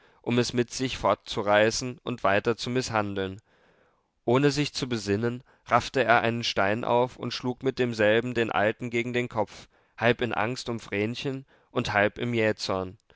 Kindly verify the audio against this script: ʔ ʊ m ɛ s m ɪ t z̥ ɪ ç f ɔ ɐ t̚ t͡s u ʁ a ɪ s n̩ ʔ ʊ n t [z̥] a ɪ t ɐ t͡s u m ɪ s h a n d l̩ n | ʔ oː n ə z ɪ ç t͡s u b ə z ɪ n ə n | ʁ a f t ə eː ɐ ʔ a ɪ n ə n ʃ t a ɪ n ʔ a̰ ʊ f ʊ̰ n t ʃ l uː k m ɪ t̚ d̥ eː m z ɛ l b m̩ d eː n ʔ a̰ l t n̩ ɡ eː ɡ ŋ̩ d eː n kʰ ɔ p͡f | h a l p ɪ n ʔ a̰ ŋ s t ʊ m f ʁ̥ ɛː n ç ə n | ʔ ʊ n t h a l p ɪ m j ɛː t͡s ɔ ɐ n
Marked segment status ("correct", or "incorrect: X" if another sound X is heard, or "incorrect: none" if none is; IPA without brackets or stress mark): incorrect: v̥